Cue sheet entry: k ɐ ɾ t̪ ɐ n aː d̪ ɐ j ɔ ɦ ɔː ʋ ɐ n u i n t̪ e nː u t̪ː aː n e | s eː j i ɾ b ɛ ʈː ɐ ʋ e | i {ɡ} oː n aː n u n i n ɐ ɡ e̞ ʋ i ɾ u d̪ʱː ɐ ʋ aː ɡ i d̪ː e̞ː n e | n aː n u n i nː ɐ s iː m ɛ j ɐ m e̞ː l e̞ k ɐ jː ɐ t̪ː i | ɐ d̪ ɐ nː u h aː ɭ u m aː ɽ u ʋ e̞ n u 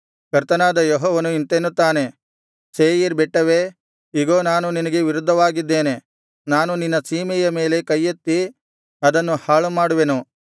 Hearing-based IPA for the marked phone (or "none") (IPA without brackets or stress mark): ɡ